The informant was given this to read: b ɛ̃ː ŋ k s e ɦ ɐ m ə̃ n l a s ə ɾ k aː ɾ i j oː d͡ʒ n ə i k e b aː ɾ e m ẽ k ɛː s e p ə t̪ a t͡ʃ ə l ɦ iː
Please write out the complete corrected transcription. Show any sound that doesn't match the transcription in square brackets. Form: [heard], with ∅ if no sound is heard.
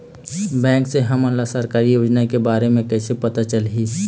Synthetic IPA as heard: b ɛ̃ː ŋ k s e ɦ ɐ m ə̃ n l a s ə ɾ k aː ɾ i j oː d͡ʒ n [a] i k e b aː ɾ e m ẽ k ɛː s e p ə t̪ a t͡ʃ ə l ɦ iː